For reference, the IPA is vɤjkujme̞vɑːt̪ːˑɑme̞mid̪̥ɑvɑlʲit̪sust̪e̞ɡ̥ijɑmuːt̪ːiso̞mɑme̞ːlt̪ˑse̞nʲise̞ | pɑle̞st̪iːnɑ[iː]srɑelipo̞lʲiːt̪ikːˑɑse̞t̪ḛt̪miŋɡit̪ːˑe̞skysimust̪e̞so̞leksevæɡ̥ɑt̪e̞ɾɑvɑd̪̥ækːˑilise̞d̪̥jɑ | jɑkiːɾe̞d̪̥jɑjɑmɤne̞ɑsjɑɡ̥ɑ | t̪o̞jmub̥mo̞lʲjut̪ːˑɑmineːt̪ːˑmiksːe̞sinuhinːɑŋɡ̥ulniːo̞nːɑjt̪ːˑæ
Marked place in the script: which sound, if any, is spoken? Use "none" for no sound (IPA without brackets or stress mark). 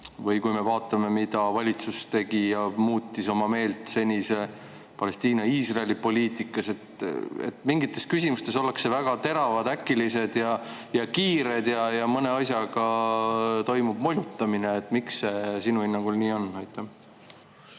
iː